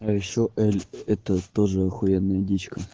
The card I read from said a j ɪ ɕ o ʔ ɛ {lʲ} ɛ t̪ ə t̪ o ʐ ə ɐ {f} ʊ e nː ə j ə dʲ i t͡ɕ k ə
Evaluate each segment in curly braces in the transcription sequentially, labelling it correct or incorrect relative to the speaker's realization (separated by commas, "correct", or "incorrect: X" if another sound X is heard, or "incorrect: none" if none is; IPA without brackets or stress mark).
correct, incorrect: x